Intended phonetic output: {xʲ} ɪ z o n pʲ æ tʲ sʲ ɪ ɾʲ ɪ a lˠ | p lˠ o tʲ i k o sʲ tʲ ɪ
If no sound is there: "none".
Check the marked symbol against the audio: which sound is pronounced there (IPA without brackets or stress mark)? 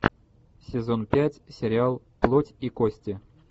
sʲ